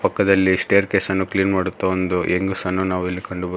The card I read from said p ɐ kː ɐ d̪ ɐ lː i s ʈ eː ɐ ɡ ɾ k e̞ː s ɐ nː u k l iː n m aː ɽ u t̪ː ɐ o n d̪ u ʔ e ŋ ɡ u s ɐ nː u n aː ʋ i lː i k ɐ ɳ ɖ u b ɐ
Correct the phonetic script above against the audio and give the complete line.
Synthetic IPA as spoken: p ɐ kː ɐ d̪ ɐ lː i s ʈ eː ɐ ɾ k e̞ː s ɐ nː u k l iː n m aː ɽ u t̪ː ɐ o n d̪ u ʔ e ŋ ɡ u s ɐ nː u n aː ʋ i lː i k ɐ ɳ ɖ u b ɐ